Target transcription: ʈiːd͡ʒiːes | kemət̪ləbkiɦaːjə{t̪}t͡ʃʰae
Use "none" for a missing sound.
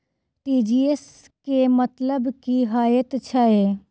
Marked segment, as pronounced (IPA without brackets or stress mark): t̪